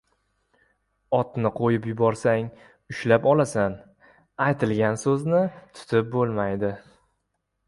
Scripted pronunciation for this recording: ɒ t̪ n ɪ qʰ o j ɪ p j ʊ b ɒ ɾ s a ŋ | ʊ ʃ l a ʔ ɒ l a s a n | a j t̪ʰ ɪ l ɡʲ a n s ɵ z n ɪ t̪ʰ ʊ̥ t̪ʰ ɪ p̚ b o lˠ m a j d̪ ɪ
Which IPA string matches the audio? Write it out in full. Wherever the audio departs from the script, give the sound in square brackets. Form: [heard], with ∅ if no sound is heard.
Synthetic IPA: ɒ t̪ n ɪ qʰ o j ɪ p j ʊ b ɒ ɾ s a ŋ | ʊ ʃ l a [p] ɒ l a s a n | a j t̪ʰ ɪ l ɡʲ a n s ɵ z n ɪ t̪ʰ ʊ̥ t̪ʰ ɪ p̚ b o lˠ m a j d̪ ɪ